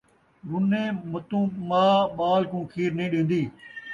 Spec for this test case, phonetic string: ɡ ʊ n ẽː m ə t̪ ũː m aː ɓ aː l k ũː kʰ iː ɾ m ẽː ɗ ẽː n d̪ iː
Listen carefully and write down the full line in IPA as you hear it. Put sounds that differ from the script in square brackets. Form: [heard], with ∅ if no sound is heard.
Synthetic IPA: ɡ ʊ n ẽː m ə t̪ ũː m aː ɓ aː l k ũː kʰ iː ɾ [n] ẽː ɗ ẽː n d̪ iː